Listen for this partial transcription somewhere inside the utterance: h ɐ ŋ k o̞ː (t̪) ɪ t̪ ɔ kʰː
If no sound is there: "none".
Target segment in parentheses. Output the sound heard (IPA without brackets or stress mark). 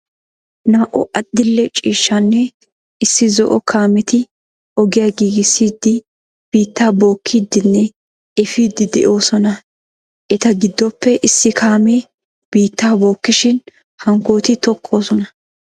t̪